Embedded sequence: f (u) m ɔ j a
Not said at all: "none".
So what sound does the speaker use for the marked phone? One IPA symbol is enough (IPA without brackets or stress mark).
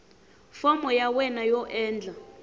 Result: ɔ